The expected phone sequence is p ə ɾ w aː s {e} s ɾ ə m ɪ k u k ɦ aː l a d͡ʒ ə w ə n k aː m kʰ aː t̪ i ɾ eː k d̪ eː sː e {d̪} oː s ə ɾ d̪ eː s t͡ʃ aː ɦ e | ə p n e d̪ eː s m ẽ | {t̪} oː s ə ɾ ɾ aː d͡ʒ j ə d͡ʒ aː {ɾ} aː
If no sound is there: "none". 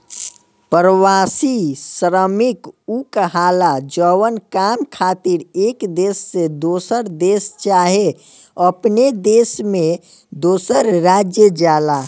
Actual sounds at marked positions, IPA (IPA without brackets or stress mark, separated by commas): i, d̪, d̪, l